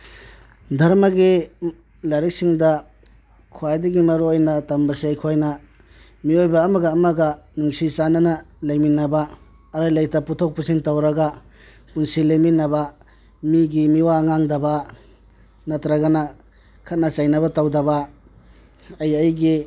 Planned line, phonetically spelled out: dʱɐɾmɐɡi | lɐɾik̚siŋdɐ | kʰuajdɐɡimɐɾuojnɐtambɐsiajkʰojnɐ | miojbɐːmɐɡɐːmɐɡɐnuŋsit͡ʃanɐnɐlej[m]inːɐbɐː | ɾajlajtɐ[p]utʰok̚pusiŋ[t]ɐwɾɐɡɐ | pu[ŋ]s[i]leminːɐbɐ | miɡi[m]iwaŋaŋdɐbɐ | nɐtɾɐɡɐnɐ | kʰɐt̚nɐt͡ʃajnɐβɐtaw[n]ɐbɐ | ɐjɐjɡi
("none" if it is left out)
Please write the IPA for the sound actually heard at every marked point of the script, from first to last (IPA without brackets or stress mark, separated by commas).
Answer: m, p, t, n, i, m, d